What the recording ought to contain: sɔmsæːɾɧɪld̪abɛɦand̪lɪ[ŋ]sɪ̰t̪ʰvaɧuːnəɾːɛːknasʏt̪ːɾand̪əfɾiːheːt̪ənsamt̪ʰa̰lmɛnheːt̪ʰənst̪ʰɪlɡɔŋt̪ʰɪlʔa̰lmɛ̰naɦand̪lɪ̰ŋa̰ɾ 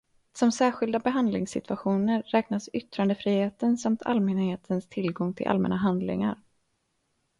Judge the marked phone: correct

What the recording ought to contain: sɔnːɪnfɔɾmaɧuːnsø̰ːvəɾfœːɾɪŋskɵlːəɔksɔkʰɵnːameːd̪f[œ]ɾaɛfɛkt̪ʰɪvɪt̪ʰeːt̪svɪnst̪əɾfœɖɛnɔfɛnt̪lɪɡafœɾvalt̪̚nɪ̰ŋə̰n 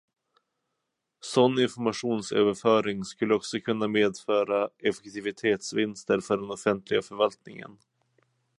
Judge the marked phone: incorrect: œː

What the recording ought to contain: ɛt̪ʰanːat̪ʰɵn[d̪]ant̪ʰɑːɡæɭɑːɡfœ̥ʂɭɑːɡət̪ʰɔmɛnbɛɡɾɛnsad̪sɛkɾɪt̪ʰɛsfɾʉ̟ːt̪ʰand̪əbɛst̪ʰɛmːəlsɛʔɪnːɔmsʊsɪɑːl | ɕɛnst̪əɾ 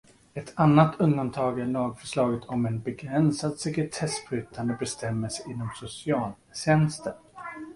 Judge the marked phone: correct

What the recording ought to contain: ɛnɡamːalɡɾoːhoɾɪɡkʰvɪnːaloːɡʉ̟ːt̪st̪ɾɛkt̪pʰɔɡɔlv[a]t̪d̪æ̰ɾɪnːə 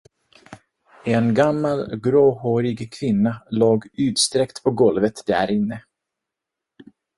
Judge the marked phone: incorrect: ə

